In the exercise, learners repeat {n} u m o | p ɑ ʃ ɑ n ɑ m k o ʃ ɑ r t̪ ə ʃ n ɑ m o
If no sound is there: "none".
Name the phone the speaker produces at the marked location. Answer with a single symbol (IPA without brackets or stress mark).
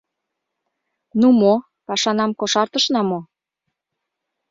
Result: n